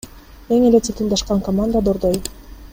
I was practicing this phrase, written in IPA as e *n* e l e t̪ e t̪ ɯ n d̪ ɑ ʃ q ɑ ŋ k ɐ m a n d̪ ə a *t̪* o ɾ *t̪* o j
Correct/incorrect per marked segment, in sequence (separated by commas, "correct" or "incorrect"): incorrect, incorrect, incorrect